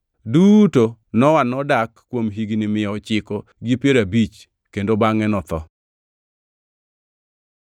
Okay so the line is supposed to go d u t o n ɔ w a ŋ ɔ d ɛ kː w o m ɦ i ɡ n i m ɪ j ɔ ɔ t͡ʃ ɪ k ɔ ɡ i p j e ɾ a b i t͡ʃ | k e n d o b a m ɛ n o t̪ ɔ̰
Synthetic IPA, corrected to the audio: d u t o n ɔ w a n ɔ d a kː w o m ɦ i ɡ n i m ɪ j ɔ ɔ t͡ʃ ɪ k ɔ ɡ i p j e ɾ a b i t͡ʃ | k e n d o b a ŋ ɛ n ɔ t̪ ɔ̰